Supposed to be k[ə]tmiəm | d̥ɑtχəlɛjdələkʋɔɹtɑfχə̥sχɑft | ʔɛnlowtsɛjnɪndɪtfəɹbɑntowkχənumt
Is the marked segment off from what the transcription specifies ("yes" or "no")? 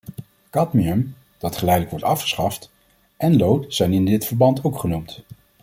yes